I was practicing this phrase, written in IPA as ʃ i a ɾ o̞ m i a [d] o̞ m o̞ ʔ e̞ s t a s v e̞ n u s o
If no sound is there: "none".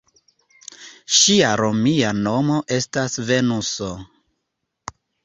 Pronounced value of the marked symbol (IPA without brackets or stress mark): n